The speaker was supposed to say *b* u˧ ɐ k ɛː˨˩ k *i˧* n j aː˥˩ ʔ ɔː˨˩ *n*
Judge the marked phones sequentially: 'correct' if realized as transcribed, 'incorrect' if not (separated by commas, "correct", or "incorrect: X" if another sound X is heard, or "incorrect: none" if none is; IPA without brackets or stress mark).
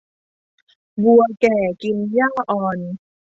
correct, correct, correct